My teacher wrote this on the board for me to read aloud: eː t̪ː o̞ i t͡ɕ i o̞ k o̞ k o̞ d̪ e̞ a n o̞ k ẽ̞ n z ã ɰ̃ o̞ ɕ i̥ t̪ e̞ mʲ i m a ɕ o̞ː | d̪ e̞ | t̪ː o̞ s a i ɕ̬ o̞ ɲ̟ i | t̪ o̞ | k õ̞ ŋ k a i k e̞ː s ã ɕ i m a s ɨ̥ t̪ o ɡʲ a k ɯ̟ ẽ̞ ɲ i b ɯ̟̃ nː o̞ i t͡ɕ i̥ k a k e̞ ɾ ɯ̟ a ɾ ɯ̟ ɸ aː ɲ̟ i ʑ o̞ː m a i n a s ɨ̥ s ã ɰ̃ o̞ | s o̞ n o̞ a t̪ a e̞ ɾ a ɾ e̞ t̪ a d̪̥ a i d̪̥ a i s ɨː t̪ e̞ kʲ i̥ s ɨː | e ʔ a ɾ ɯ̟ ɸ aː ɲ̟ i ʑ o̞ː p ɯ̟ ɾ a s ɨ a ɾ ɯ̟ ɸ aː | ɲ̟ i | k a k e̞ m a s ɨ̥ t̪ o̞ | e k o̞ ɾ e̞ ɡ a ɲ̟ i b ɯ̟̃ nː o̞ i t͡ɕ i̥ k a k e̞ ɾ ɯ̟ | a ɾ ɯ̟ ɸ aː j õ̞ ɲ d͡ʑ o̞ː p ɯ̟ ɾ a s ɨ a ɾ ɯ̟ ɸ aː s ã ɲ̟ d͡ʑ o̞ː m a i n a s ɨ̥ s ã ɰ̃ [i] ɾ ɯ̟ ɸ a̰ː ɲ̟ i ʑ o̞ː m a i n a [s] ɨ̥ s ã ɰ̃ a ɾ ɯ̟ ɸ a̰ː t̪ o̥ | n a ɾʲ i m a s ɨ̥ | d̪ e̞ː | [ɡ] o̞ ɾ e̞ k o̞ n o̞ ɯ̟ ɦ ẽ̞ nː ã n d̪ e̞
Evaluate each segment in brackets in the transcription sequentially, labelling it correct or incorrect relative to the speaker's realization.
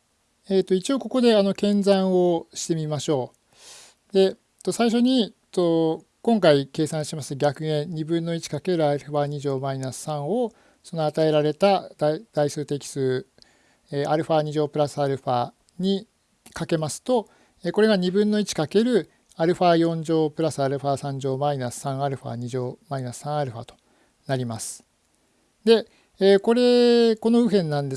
incorrect: a, correct, incorrect: k

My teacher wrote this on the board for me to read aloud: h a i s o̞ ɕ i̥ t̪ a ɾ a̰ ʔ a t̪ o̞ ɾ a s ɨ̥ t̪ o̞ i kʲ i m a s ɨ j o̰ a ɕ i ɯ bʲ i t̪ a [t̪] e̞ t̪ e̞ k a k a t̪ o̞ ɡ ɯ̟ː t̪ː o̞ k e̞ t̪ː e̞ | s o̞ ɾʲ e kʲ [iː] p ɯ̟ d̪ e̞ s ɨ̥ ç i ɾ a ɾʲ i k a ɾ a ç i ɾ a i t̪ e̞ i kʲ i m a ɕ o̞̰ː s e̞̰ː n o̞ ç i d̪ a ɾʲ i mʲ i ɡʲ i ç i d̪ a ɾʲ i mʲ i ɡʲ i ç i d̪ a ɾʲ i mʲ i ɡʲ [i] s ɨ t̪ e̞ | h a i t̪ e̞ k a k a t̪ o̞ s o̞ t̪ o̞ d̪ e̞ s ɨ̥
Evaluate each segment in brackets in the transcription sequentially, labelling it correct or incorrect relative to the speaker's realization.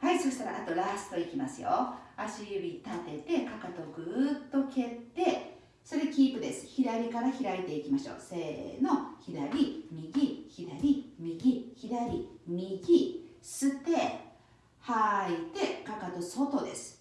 correct, correct, correct

